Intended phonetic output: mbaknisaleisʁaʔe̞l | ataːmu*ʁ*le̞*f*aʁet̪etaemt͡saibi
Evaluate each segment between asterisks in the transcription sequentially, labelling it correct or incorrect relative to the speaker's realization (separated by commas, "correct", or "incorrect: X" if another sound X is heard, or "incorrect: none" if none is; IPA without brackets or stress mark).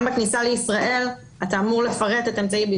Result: correct, correct